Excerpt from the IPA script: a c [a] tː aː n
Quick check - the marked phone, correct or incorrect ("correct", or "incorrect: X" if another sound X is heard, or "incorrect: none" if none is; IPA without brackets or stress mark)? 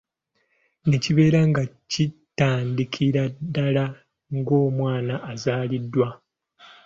incorrect: i